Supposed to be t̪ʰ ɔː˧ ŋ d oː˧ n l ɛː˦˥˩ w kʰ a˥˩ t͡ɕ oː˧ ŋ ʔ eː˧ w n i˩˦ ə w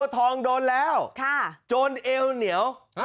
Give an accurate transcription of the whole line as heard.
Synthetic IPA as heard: t̪ʰ ɔː˧ ŋ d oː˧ n l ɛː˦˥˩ w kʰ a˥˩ t͡ɕ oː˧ n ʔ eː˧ w n i˩˦ ə w